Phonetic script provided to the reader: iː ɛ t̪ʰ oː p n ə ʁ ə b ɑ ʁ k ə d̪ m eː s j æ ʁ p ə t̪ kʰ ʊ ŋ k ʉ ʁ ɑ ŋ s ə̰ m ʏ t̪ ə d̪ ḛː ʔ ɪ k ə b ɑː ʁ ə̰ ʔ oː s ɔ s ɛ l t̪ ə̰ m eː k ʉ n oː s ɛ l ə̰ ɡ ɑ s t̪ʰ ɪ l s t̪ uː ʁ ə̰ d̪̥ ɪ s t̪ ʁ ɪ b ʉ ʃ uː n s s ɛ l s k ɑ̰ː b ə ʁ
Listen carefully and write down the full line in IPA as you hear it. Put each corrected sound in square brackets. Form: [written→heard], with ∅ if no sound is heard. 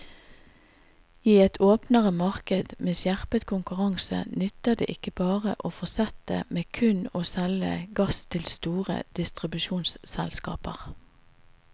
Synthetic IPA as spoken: iː ɛ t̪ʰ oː p n ə ʁ ə [b→m] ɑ ʁ k ə d̪ m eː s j æ ʁ p ə t̪ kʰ ʊ ŋ k ʉ ʁ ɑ ŋ s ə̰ [m→n] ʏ t̪ ə d̪ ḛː ʔ ɪ k ə b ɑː ʁ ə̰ ʔ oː [s→f] ɔ s ɛ [l→∅] t̪ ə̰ m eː [k→kʰ] ʉ n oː s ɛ l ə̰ ɡ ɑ s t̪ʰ ɪ l s t̪ uː ʁ ə̰ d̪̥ ɪ s t̪ ʁ ɪ b ʉ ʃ uː n s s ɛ l s k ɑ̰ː [b→p] ə ʁ